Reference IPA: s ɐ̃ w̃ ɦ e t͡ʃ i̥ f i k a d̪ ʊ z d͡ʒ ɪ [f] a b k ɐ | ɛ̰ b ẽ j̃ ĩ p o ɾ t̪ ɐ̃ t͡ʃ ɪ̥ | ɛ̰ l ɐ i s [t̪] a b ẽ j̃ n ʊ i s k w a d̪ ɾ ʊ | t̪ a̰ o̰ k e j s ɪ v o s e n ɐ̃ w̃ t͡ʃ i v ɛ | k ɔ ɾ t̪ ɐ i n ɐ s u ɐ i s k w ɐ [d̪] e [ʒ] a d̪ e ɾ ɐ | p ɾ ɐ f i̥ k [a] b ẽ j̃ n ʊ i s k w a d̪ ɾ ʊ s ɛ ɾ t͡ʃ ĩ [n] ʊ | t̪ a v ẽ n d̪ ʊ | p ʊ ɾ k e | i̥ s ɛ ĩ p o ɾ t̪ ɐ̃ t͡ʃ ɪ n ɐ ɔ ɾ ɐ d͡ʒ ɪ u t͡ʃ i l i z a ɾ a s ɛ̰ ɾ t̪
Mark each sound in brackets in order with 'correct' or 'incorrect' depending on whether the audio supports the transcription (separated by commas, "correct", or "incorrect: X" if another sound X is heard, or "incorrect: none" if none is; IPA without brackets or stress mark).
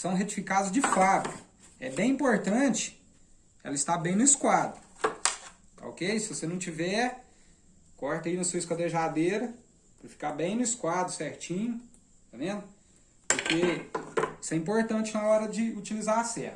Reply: correct, correct, correct, correct, correct, incorrect: ɲ